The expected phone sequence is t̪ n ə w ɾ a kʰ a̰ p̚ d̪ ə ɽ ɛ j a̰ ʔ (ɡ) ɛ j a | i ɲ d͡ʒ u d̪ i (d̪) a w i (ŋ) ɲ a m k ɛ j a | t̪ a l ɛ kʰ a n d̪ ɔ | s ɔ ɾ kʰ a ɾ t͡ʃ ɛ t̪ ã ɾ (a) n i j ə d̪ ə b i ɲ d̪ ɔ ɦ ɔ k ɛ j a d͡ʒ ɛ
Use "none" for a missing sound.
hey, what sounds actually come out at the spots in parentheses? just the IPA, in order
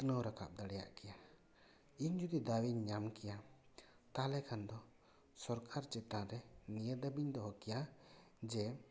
k, d̪, ɲ, ɛ

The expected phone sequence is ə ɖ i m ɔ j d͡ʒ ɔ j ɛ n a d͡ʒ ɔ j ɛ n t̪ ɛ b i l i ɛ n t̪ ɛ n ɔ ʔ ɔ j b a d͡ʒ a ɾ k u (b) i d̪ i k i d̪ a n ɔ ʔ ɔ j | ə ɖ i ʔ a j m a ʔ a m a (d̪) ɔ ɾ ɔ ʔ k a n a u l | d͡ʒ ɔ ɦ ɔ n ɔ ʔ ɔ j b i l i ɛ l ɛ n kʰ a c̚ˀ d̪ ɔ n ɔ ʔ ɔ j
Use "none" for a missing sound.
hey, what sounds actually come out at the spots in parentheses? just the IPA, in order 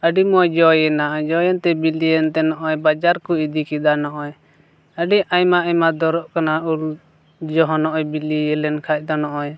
none, d̪

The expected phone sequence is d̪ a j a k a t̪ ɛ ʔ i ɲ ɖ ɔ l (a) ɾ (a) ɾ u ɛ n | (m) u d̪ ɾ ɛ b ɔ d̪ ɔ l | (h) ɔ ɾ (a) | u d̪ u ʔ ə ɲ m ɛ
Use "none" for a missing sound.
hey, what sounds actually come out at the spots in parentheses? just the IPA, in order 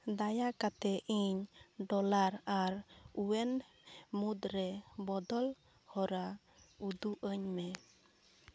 a, a, m, h, a

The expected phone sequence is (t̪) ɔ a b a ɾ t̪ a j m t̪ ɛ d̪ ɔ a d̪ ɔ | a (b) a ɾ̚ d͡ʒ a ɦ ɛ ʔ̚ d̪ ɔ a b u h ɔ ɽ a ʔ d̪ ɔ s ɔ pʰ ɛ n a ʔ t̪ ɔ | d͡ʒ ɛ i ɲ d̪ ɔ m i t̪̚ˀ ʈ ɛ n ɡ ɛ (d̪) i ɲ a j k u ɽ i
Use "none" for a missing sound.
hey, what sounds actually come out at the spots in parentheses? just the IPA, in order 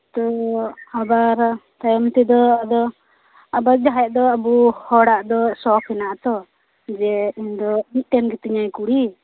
t̪, b, t̪

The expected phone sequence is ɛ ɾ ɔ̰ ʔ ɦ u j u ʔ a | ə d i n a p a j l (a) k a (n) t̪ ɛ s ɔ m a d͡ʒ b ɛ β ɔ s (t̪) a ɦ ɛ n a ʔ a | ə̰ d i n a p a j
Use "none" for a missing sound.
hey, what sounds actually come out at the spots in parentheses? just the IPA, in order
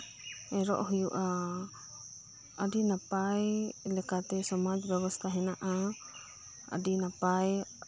ɛ, none, t̪ʰ

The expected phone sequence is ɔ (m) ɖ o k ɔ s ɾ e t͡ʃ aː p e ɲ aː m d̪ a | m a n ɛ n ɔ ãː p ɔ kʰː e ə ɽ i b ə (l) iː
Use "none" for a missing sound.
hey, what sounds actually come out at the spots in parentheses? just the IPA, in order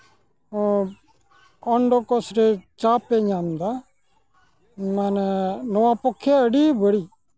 ɳ, ɽ

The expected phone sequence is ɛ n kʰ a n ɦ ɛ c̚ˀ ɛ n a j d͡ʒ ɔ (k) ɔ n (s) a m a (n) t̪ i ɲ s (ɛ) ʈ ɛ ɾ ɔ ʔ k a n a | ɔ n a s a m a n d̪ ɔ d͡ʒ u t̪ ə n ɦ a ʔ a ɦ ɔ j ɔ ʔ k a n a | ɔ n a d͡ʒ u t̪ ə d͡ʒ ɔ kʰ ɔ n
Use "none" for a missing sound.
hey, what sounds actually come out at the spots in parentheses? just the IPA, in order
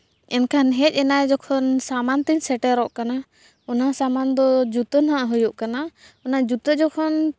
kʰ, s, n, ɛ

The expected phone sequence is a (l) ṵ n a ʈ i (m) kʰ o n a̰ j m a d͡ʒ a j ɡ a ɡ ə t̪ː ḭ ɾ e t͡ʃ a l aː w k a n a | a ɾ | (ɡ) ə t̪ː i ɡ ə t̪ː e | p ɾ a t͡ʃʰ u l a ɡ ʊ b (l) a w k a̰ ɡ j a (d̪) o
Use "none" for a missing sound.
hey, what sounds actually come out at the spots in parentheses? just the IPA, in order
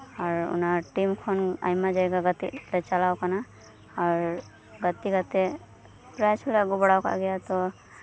ɾ, m, ɡ, ɽ, t̪

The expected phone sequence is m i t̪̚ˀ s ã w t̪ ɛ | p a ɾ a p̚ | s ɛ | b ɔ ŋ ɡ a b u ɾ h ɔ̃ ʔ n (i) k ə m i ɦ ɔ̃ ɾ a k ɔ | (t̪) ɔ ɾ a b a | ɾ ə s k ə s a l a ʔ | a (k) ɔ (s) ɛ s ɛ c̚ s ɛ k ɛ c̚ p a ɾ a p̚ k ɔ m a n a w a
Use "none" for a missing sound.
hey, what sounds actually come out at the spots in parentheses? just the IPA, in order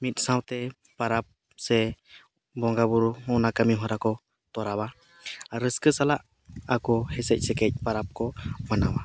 a, t̪, k, h

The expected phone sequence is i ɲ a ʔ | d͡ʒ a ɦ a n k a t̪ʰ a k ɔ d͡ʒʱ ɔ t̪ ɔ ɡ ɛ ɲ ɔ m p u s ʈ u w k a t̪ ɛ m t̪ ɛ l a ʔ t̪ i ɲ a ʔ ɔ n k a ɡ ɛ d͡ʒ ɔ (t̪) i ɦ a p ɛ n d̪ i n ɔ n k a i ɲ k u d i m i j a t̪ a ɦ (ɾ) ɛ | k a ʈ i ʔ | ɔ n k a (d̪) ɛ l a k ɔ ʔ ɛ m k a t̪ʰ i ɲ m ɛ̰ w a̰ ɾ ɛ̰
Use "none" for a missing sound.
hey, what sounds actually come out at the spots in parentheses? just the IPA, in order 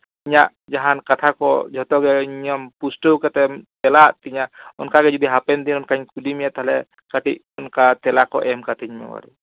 d̪, l, t̪

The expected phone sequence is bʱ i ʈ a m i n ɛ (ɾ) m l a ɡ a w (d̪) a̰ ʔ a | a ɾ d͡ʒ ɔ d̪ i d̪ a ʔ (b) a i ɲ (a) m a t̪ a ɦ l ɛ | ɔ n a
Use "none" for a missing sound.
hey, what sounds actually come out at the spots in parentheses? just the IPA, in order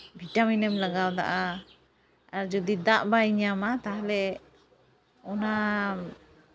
none, d̪, b, a

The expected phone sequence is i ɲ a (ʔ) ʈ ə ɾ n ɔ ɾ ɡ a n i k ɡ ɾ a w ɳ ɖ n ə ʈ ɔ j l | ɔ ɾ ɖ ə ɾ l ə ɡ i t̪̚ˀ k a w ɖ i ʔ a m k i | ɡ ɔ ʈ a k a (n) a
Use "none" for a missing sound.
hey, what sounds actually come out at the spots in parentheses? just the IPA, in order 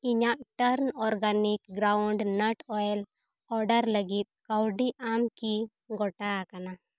ʔ, n

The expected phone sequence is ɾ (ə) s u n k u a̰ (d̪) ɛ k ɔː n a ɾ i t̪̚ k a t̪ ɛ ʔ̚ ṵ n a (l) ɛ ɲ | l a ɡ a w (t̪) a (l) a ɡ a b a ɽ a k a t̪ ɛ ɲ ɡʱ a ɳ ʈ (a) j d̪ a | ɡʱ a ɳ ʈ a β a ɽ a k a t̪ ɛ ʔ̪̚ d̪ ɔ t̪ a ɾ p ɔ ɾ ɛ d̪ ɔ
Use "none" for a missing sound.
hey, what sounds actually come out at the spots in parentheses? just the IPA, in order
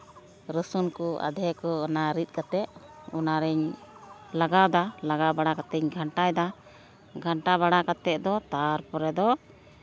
ə, d̪, ɾ, d̪, l, a

